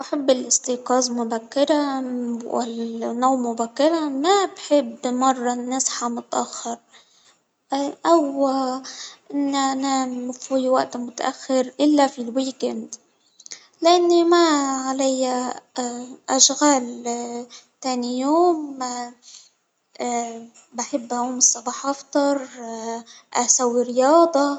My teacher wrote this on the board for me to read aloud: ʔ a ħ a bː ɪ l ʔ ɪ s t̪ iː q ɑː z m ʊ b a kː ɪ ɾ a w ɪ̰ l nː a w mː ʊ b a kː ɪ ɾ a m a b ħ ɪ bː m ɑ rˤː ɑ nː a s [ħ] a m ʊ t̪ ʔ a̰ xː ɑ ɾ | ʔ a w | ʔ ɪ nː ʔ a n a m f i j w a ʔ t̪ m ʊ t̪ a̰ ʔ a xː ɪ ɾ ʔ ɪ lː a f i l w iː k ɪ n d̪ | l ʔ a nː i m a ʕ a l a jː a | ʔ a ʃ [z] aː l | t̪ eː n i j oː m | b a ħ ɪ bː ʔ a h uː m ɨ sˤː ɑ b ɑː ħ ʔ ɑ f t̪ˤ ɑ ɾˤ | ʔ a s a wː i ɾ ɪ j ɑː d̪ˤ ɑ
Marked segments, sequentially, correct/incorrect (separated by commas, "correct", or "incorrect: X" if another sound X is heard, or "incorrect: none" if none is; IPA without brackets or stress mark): correct, incorrect: ɣ